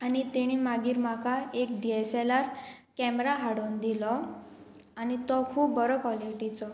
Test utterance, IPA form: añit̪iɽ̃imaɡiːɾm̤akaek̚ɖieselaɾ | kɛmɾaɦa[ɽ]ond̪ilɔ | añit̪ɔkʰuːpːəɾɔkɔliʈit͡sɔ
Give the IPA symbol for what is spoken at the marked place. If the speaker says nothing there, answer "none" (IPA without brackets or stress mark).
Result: ɽ